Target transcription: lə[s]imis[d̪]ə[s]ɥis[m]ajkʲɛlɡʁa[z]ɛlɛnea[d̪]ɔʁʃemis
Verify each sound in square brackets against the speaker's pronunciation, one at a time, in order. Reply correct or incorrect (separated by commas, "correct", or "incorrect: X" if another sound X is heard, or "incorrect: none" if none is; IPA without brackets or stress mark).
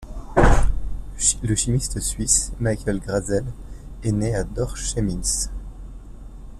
incorrect: ʃ, incorrect: t̪, correct, correct, correct, correct